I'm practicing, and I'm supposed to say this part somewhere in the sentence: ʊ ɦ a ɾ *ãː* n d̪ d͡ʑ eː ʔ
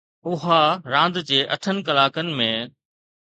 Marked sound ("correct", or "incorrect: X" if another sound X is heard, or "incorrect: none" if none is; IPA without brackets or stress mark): correct